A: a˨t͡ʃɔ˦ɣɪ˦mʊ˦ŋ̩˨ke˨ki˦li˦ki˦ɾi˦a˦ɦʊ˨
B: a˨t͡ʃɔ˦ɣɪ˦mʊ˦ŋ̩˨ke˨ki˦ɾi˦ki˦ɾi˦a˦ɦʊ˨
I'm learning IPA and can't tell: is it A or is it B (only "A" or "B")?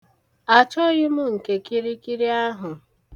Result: B